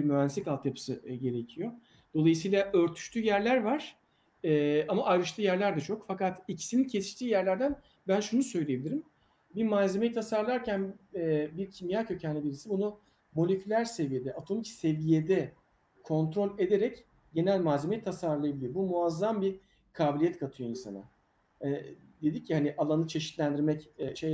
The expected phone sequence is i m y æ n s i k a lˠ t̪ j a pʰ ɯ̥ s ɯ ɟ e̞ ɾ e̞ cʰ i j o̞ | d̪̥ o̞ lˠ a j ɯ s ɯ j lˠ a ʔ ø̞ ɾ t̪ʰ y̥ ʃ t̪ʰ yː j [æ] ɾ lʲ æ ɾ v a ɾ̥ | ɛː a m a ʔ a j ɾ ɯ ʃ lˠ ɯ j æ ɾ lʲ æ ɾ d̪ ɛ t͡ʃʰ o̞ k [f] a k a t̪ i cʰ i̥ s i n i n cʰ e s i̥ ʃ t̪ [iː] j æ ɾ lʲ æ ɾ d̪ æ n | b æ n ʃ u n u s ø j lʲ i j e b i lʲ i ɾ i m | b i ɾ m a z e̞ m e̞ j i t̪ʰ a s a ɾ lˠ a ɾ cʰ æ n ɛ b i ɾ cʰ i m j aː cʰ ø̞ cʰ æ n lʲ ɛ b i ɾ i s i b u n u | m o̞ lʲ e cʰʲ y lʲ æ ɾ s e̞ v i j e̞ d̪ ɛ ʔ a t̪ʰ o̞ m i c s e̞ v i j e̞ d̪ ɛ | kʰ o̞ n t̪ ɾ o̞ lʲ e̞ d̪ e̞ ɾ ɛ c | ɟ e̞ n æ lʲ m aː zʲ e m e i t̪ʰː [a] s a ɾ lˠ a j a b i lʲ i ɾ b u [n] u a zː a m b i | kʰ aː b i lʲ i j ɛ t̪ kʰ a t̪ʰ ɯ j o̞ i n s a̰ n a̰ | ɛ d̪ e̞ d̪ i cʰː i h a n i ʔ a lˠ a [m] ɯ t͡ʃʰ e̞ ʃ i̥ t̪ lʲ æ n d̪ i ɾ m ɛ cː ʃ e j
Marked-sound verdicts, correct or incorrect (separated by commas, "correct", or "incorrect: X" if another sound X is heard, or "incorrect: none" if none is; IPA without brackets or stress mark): correct, correct, correct, correct, incorrect: m, incorrect: n